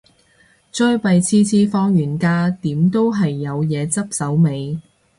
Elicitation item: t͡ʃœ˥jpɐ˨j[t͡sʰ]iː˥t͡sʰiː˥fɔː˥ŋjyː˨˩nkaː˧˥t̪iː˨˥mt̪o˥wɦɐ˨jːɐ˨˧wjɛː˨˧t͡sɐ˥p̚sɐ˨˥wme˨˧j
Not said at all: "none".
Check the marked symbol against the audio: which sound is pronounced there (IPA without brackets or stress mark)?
t͡sʰ